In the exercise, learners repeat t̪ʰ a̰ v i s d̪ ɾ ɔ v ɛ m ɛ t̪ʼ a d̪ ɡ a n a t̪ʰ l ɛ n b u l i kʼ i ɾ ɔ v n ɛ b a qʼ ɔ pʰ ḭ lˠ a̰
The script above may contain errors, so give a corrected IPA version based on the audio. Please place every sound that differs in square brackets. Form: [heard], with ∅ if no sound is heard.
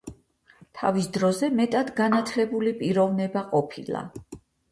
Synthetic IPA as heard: t̪ʰ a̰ v i s d̪ ɾ ɔ [z] ɛ m ɛ t̪ʼ a d̪ ɡ a n a t̪ʰ l ɛ [∅] b u l i [pʼ] i ɾ ɔ v n ɛ b a qʼ ɔ pʰ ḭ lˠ a̰